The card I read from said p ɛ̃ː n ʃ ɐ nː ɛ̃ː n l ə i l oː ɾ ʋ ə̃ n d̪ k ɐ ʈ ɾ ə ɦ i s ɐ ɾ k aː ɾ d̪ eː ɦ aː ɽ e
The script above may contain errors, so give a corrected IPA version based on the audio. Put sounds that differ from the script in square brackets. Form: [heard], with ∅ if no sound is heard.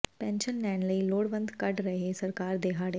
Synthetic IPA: p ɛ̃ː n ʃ [ə] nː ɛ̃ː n l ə i l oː [ɽ] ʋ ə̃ n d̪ k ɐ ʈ ɾ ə ɦ [e] s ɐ ɾ k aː ɾ d̪ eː ɦ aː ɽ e